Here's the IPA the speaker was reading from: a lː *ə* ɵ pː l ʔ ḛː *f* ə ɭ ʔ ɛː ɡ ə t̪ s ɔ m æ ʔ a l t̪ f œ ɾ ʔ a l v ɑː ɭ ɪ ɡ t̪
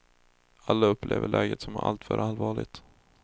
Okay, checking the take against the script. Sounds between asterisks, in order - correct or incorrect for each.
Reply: incorrect: a, incorrect: v

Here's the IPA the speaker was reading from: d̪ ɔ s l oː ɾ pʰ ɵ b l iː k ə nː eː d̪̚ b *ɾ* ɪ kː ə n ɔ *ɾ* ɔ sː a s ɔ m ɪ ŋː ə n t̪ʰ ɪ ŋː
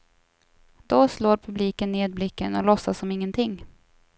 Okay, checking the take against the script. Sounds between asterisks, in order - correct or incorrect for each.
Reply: incorrect: l, incorrect: l

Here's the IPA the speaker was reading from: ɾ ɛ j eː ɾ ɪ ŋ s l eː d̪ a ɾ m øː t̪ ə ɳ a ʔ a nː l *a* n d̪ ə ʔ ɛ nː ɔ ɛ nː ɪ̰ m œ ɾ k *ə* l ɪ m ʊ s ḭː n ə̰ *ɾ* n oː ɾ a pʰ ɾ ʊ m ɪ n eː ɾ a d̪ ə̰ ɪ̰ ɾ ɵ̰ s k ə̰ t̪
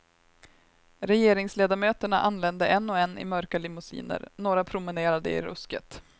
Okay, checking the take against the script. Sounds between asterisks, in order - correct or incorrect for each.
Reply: incorrect: ɛ, incorrect: a, correct

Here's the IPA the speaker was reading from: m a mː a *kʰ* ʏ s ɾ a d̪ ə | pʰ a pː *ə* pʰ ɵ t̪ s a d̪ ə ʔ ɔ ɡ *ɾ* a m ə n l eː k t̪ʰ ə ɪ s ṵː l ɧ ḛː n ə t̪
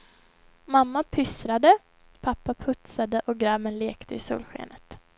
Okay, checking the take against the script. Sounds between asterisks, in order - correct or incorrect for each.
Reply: incorrect: pʰ, incorrect: a, correct

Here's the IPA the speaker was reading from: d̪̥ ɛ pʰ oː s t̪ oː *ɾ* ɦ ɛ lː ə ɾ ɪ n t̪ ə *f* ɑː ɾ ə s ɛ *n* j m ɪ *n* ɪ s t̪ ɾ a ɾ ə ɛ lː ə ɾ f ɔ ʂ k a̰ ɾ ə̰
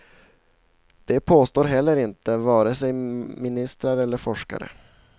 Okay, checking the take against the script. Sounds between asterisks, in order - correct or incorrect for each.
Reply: correct, incorrect: v, incorrect: none, correct

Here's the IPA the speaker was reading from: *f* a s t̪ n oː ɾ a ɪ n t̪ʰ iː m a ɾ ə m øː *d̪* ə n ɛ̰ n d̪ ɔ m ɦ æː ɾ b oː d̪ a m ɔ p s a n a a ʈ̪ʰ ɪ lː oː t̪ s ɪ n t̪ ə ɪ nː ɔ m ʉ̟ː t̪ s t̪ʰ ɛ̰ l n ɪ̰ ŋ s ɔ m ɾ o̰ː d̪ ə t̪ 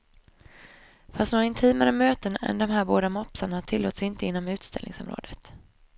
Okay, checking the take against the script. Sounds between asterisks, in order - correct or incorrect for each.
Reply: correct, incorrect: t̪

